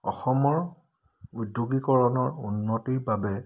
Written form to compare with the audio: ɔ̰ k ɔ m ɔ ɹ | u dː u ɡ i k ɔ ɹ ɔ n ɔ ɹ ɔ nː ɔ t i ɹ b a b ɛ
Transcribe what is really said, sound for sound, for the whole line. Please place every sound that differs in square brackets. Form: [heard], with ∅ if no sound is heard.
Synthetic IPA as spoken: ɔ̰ [x] ɔ m ɔ ɹ | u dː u ɡ i k ɔ ɹ ɔ n ɔ ɹ [u] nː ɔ t i ɹ b a b ɛ